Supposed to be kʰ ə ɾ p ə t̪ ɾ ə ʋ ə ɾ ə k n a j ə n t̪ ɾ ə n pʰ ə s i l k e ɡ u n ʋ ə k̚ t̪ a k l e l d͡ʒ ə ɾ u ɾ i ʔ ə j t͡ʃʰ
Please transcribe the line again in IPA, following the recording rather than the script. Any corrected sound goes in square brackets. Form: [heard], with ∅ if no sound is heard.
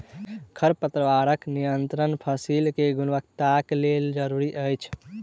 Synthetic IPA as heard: kʰ ə ɾ p ə t̪ ɾ ə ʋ [a] ɾ ə k n [i] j ə n t̪ ɾ ə n pʰ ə s i l k e ɡ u n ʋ ə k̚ t̪ a k l e l d͡ʒ ə ɾ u ɾ i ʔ ə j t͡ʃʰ